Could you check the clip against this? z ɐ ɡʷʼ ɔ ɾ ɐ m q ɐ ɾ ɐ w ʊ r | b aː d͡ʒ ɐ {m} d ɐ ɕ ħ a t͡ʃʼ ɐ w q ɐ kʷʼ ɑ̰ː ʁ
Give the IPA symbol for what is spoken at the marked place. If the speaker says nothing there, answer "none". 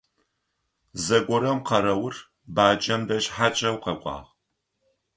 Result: m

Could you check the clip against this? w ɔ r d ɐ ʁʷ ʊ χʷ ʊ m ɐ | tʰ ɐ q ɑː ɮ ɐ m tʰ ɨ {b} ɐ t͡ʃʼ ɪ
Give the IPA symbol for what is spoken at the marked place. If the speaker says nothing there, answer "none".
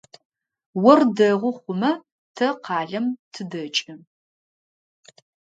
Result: d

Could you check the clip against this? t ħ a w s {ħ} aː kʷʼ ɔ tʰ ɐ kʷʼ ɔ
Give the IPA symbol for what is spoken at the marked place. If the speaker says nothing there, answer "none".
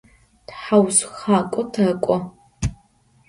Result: x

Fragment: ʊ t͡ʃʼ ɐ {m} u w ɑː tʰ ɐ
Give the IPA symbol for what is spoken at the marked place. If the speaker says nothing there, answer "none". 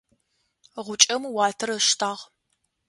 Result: m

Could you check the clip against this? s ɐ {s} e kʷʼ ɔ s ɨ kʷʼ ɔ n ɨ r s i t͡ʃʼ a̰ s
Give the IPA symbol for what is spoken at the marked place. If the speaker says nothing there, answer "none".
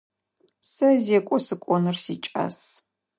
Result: z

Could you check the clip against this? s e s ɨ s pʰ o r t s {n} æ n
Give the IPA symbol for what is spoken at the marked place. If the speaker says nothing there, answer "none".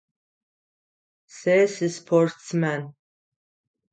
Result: m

